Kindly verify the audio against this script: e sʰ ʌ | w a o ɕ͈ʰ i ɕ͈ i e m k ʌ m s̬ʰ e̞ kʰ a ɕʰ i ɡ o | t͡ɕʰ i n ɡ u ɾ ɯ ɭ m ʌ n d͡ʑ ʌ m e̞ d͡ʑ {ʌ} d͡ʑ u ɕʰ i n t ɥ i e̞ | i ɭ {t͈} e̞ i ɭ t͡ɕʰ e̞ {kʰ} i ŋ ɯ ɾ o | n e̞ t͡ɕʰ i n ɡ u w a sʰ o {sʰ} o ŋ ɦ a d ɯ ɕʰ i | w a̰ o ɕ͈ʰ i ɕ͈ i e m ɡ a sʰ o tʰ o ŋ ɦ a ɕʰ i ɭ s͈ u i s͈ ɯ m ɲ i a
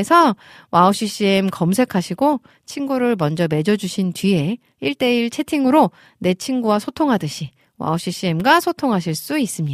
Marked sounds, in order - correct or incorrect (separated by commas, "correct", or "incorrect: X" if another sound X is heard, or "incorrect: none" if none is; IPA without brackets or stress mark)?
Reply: correct, correct, incorrect: tʰ, incorrect: tʰ